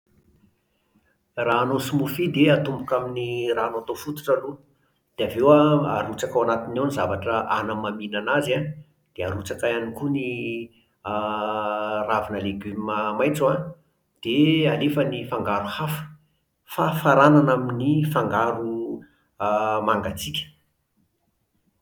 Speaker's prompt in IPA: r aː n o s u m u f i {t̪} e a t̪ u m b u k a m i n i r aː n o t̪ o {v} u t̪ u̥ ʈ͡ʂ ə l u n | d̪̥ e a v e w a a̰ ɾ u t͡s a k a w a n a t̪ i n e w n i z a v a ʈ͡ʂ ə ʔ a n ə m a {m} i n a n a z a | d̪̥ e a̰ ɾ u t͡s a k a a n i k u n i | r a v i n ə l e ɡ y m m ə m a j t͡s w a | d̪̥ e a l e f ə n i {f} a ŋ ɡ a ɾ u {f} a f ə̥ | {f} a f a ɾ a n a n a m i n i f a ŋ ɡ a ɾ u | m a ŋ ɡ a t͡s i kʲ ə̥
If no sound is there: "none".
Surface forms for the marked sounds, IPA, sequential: d̪, f, m, f, h, f

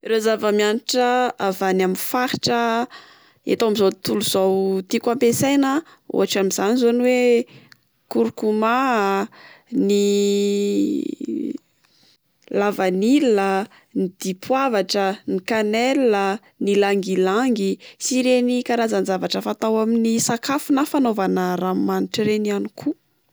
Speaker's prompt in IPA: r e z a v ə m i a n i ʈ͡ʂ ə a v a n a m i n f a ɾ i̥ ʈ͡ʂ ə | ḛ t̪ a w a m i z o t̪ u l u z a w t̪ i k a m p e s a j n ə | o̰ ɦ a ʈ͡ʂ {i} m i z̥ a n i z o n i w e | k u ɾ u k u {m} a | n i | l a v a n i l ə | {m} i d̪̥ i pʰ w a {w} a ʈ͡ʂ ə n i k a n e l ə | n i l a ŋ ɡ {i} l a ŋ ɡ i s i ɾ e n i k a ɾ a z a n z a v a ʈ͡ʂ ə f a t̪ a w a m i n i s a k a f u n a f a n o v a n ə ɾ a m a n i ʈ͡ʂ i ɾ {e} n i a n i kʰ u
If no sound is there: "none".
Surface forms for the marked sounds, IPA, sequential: a, m, n, v, i, e

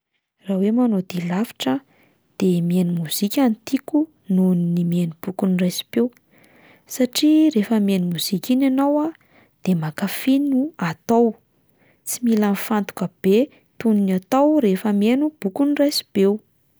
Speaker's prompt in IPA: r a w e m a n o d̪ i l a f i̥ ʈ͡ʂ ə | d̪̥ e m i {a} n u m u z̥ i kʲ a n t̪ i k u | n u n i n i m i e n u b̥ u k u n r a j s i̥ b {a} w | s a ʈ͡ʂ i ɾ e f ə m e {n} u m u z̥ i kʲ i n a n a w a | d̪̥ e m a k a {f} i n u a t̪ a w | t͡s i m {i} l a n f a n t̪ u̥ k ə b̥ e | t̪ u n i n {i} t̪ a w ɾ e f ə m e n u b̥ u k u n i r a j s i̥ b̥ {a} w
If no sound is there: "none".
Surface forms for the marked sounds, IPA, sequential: e, e, n, f, i, a, e

